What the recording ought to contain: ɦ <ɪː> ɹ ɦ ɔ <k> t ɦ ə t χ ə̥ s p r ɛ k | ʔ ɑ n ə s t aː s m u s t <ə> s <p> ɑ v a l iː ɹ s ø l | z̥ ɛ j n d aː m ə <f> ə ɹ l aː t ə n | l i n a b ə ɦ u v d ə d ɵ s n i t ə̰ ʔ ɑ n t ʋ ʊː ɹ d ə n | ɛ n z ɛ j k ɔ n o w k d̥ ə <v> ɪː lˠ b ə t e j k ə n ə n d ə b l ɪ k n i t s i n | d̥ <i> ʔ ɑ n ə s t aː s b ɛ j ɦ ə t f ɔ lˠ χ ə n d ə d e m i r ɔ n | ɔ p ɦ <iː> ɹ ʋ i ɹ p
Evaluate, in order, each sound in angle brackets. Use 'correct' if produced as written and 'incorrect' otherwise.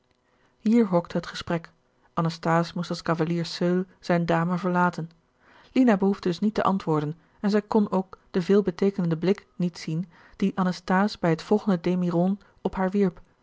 incorrect, correct, incorrect, incorrect, incorrect, correct, correct, incorrect

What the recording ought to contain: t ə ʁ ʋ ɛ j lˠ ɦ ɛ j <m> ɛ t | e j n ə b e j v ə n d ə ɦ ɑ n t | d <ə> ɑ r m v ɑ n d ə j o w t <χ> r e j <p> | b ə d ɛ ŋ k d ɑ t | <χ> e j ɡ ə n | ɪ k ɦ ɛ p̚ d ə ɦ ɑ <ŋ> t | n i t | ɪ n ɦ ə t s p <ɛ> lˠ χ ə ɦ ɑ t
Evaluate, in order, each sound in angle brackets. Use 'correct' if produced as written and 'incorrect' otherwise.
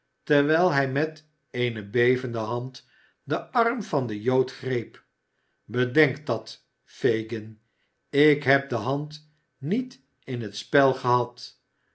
correct, correct, correct, correct, incorrect, incorrect, correct

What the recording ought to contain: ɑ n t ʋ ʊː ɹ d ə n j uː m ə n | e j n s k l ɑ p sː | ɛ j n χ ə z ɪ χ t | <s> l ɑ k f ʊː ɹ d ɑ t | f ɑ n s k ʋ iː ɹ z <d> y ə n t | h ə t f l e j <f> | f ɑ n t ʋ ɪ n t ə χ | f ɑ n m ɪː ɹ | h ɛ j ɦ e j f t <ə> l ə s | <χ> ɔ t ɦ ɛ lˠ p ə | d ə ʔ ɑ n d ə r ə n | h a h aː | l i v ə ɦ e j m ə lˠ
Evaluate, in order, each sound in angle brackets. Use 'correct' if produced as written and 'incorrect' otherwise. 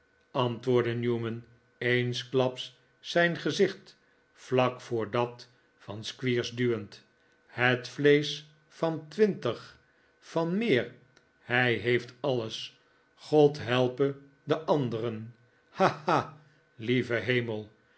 incorrect, correct, incorrect, incorrect, correct

